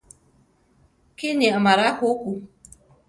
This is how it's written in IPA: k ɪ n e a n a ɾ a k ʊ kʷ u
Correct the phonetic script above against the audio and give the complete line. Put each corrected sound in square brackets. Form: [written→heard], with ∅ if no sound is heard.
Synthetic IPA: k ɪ n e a [n→m] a ɾ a k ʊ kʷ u